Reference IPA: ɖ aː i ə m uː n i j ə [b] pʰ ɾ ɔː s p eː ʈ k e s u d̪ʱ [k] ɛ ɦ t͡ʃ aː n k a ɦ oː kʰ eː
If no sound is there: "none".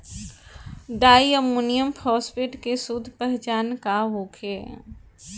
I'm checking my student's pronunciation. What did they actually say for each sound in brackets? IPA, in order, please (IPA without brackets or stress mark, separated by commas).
m, p